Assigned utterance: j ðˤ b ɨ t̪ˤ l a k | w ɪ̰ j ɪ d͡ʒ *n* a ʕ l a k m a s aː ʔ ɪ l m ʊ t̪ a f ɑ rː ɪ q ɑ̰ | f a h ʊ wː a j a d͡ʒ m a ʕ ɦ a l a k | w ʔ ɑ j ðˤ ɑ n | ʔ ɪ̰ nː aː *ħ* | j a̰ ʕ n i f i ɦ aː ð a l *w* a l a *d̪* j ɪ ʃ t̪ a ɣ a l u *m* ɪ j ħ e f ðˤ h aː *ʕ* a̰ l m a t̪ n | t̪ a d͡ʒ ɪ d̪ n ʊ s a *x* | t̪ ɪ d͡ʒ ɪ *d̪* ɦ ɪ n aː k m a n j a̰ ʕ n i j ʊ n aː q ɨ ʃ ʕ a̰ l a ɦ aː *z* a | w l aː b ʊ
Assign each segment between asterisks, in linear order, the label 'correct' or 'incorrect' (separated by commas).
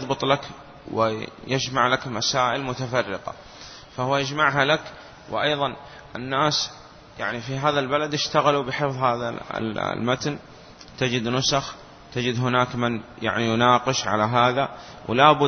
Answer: incorrect, incorrect, incorrect, correct, incorrect, incorrect, correct, correct, incorrect